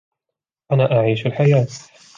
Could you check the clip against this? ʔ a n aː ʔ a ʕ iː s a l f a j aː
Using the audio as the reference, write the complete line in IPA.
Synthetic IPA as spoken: ʔ a n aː ʔ a ʕ iː ʃ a l ħ a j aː

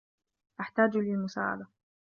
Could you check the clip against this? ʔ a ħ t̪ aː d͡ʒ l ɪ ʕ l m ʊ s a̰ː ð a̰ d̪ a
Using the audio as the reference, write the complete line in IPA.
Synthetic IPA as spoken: ʔ a ħ t̪ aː d͡ʒ l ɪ l m ʊ s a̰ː ʕ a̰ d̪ a

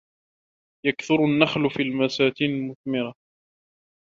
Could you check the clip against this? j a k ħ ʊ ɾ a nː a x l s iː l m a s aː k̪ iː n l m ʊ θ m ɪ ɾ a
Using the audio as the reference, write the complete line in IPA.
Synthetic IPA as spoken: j a k θ ʊ ɾ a nː a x l f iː l m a s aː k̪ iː n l m ʊ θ m ɪ ɾ a

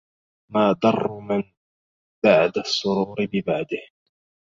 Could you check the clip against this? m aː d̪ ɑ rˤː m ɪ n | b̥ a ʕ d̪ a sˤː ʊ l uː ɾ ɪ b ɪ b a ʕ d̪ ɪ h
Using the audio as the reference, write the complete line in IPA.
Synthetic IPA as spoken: m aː d̪ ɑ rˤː m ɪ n | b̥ a ʕ d̪ a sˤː ʊ ɾ uː ɾ ɪ b ɪ b a ʕ d̪ ɪ h

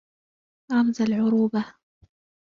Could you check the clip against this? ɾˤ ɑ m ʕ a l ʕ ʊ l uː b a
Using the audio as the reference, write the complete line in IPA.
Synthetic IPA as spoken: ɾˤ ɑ m z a l ʕ ʊ ɾ uː b a

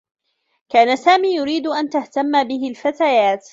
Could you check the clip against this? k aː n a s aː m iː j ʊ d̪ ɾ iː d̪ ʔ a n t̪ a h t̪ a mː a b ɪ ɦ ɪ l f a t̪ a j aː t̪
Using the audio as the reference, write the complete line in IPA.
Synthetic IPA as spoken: k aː n a s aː m iː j ʊ ɾ iː d̪ ʔ a n t̪ a h t̪ a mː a b ɪ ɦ ɪ l f a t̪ a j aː t̪

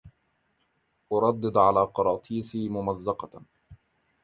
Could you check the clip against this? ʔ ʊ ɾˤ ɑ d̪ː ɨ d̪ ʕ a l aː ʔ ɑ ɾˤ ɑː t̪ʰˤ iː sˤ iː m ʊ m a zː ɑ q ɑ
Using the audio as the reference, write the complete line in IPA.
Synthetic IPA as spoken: ʔ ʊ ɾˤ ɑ d̪ː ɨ d̪ ʕ a l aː q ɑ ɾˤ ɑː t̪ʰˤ iː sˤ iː m ʊ m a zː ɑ q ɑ

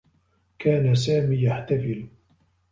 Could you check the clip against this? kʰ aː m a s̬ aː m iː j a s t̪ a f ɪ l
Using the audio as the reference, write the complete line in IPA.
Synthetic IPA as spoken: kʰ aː n a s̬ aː m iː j a ħ t̪ a f ɪ l

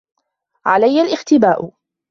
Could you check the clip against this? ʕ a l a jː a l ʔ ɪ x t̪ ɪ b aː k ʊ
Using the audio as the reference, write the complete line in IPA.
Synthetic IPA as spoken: ʕ a l a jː a l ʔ ɪ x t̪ ɪ b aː ʔ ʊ

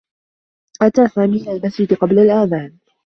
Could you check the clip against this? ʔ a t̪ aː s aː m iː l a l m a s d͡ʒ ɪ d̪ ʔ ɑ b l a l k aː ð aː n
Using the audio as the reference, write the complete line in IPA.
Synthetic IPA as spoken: ʔ a t̪ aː s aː m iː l a l m a s d͡ʒ ɪ d̪ q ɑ b l a l ʔ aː ð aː n

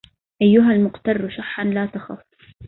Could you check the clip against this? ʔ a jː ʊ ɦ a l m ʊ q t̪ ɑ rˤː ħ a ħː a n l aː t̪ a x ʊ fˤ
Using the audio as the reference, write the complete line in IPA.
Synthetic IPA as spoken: ʔ a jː ʊ ɦ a l m ʊ q t̪ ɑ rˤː ʃ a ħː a n l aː t̪ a x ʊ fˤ

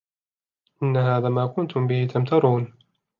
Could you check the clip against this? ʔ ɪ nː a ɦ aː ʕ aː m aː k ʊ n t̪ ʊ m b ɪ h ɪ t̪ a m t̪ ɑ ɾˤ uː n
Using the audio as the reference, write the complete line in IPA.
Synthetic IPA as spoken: ʔ ɪ nː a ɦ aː ð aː m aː k ʊ n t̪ ʊ m b ɪ h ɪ t̪ a m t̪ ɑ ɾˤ uː n

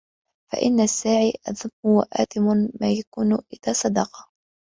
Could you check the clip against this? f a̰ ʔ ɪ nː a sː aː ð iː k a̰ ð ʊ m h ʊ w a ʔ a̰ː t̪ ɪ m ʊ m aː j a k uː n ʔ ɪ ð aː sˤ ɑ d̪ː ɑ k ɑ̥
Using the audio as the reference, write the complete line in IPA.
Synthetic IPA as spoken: f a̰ ʔ ɪ nː a sː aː ʕ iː ʔ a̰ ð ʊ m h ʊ w a ʔ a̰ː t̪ ɪ m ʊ m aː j a k uː n ʔ ɪ ð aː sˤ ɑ d̪ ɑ q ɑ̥

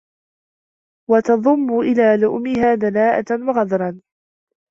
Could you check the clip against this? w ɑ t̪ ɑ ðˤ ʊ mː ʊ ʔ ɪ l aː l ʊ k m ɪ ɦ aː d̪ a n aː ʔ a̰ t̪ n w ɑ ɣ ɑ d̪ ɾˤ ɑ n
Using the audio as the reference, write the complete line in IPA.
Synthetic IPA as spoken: w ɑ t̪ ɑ ðˤ ʊ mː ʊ ʔ ɪ l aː l ʊ ʔ m ɪ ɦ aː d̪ a n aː ʔ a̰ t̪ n w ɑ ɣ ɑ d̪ ɾˤ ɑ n

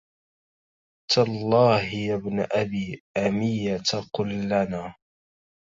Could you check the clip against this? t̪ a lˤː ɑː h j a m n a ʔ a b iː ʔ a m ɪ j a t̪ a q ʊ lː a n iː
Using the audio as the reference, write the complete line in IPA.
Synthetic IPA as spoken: t̪ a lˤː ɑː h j a b n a ʔ a b iː ʔ a m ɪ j a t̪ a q ʊ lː a n aː

